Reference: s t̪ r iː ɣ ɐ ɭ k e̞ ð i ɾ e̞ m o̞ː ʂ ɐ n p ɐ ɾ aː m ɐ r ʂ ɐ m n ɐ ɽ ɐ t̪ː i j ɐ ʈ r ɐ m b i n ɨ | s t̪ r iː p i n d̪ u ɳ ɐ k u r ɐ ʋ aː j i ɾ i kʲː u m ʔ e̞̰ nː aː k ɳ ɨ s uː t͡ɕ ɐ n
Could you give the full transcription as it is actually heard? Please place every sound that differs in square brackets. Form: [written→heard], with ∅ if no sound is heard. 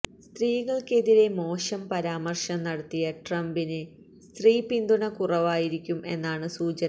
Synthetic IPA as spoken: s t̪ r iː ɣ ɐ ɭ k e̞ ð i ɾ e̞ m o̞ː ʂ ɐ [n→m] p ɐ ɾ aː m ɐ r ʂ ɐ m n ɐ ɽ ɐ t̪ː i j ɐ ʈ r ɐ m b i n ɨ | s t̪ r iː p i n d̪ u ɳ ɐ k u r ɐ ʋ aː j i ɾ i kʲː u m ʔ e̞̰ nː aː [k→∅] ɳ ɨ s uː t͡ɕ ɐ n